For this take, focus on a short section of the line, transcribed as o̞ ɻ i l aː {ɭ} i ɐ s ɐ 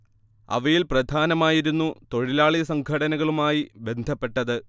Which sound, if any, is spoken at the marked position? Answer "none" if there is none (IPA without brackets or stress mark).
ɭ